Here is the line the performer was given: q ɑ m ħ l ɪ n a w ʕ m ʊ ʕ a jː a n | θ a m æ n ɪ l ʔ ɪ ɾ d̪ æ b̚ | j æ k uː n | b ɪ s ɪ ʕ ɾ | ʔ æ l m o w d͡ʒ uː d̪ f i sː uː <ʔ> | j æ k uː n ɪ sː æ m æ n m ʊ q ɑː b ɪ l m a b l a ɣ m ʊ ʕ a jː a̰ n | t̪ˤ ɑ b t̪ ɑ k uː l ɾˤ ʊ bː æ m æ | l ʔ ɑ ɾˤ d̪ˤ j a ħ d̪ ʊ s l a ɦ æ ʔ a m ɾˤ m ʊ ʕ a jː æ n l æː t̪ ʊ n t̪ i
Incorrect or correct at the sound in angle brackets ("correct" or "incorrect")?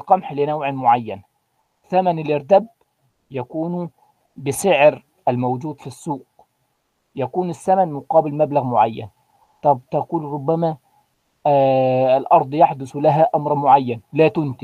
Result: incorrect